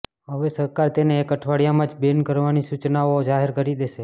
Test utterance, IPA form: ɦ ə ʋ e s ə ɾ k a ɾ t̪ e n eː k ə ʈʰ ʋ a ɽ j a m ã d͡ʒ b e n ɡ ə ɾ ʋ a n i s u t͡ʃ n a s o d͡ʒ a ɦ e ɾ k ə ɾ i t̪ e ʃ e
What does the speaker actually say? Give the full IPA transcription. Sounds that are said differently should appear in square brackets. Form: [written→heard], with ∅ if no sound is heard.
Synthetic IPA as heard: ɦ ə ʋ e s ə ɾ k a ɾ t̪ e n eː k ə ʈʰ ʋ a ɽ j a m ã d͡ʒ b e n [ɡ→k] ə ɾ ʋ a n i s u t͡ʃ n a [s→∅] o d͡ʒ a ɦ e ɾ k ə ɾ i [t̪→d̪] e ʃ e